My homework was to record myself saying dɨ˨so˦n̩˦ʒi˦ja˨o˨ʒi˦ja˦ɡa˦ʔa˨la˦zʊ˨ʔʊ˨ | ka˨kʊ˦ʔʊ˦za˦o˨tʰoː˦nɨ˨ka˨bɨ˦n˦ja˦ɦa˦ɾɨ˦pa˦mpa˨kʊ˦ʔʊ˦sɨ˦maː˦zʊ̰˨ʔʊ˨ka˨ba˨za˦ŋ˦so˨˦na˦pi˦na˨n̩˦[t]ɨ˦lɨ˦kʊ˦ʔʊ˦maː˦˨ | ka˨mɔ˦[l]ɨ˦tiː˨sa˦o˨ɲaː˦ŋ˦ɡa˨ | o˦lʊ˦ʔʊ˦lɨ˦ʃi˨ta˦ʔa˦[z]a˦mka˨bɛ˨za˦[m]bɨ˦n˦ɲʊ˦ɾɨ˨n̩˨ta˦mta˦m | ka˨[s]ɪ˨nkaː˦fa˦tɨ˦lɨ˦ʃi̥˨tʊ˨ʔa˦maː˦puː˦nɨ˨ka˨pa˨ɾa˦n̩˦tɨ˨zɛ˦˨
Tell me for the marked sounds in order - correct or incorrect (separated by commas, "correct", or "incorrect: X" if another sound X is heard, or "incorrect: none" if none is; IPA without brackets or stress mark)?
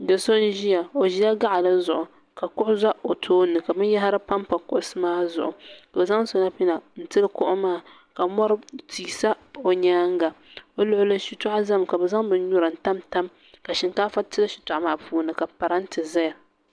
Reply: correct, incorrect: ɾ, correct, incorrect: ŋ, incorrect: ʃ